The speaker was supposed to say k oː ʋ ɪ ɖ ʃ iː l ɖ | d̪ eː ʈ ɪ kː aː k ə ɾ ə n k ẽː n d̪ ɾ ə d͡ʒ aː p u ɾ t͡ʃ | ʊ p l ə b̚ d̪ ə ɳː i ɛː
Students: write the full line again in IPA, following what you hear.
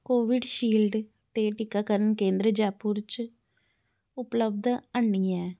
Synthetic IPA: k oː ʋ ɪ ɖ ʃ iː l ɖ | t̪ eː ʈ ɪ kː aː k ə ɾ ə n k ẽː n d̪ ɾ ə d͡ʒ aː p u ɾ t͡ʃ | ʊ p l ə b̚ d̪ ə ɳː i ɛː